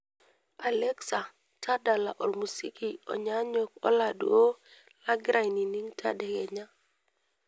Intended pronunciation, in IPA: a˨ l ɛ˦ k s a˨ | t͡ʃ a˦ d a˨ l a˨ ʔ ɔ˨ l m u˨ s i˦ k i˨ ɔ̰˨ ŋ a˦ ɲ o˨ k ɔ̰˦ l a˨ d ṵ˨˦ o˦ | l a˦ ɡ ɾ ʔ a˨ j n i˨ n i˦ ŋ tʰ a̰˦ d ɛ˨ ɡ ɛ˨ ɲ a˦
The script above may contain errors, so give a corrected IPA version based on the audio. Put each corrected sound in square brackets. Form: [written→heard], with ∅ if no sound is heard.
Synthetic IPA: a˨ l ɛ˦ k s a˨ | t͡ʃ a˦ d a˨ l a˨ ʔ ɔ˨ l m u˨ s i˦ k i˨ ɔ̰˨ [ŋ→ɲ] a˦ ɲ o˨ k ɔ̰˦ l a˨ d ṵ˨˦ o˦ | l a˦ ɡ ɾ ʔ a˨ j n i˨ n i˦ ŋ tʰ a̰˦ d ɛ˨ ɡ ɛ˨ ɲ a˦